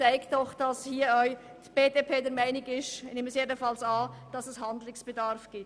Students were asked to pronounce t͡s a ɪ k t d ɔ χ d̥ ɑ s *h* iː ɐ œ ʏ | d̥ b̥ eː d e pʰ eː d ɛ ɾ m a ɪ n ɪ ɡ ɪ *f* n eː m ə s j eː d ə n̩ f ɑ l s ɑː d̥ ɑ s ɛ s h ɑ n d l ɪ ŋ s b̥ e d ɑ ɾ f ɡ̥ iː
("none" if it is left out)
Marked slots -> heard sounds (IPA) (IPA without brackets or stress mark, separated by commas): h, ʃ